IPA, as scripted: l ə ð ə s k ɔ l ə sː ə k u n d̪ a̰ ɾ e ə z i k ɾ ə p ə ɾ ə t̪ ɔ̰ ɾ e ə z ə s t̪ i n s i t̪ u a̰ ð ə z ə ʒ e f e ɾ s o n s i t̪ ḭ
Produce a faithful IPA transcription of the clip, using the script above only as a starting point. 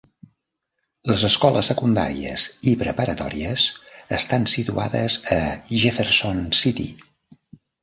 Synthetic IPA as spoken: l ə z ə s k ɔ l ə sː ə k u n d̪ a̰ ɾ i ə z i p ɾ ə p ə ɾ ə t̪ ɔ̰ ɾ i ə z ə s t̪ a n s i t̪ u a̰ ð ə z ə ʒ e f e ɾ s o n s i t̪ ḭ